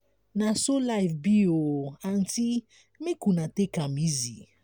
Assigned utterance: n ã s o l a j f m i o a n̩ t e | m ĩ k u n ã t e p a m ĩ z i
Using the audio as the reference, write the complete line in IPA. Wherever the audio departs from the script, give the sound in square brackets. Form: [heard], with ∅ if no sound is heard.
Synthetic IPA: n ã s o l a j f [b] i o a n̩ t [i] | m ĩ k u n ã t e [k] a m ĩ z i